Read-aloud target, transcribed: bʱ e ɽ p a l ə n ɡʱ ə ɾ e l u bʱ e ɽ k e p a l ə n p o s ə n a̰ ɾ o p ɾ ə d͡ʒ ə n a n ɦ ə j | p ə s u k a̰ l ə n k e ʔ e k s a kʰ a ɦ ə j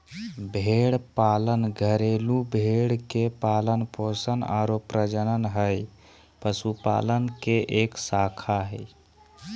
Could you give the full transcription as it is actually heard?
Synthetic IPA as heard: bʱ e ɽ p a l ə n ɡʱ ə ɾ e l u bʱ e ɽ k e p a l ə n p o s ə n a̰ ɾ o p ɾ ə d͡ʒ ə n ə n ɦ ə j | p ə s u p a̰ l ə n k e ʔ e k s a kʰ a ɦ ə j